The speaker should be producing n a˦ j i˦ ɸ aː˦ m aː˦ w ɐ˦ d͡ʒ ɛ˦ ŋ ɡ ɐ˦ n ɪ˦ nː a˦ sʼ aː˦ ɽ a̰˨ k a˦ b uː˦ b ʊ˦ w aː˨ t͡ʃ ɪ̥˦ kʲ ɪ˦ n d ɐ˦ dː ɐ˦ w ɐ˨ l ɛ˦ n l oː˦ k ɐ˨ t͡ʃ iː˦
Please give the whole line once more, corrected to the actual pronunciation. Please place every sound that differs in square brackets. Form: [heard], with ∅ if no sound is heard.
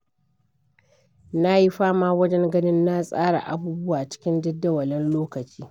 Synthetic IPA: n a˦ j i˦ ɸ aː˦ m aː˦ w ɐ˦ d͡ʒ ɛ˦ ŋ ɡ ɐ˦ n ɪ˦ nː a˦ sʼ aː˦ ɽ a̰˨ [ʔ] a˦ b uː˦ b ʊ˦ w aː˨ t͡ʃ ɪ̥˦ kʲ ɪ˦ n d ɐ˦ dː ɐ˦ w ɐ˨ l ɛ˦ n l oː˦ k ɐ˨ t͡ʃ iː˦